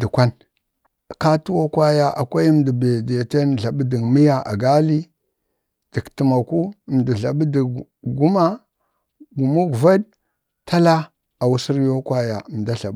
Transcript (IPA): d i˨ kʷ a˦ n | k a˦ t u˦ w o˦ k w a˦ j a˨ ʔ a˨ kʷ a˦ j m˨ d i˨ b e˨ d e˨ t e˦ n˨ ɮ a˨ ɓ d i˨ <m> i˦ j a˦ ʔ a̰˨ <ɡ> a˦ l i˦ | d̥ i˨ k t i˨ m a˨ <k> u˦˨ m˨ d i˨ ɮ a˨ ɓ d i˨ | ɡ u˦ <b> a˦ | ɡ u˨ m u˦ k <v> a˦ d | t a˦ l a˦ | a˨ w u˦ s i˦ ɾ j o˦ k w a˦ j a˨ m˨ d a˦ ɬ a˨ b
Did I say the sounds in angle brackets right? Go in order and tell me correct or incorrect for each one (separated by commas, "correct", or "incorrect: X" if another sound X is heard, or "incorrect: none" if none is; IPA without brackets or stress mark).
correct, correct, correct, incorrect: m, correct